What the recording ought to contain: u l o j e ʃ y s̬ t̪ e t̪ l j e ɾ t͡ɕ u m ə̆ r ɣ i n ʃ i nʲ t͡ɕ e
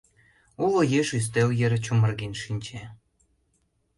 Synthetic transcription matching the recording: u l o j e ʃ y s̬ t̪ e l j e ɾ t͡ɕ u m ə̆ r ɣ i n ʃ i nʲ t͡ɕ e